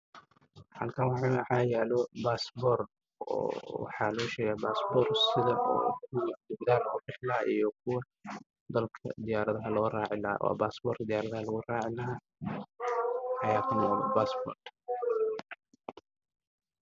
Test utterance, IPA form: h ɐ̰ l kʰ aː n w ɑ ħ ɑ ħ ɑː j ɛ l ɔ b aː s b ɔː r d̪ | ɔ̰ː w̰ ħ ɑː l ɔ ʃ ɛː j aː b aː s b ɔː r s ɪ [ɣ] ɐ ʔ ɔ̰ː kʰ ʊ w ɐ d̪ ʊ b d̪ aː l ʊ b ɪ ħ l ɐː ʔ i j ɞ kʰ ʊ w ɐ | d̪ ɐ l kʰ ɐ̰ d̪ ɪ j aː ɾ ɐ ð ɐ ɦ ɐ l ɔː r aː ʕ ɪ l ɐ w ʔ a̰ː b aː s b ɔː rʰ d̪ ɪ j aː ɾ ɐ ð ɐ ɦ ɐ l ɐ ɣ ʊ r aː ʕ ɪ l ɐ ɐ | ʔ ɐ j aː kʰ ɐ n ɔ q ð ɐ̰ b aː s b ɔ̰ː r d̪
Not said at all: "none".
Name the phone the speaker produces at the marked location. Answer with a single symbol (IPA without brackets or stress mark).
ð